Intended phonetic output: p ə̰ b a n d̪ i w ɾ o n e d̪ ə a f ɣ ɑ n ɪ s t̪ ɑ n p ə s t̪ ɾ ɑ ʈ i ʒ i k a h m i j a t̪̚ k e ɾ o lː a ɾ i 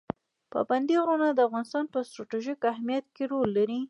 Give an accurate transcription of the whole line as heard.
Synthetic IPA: p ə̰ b a n d̪ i ɣ ɾ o n a d̪ ə a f ɣ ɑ n ɪ s t̪ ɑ n p ə s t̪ ɾ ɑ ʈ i ʒ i k a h m i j a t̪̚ k e ɾ o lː a ɾ i